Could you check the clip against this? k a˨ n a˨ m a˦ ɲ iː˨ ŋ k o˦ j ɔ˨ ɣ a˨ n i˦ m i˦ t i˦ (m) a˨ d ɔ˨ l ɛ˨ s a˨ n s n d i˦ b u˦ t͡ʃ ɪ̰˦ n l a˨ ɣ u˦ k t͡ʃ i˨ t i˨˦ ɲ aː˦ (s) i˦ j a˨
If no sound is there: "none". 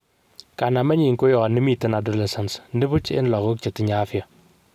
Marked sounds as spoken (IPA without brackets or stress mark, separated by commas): n, f